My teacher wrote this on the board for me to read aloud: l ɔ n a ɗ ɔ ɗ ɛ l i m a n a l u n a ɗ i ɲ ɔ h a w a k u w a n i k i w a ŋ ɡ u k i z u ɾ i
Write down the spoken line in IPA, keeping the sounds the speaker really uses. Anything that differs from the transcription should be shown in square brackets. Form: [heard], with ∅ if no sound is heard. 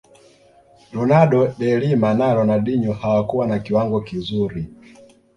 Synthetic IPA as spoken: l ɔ n a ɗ ɔ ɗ ɛ l i m a n a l [ɔ] n a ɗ i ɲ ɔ h a w a k u w a n [a] k i w a ŋ ɡ [ɔ] k i z u ɾ i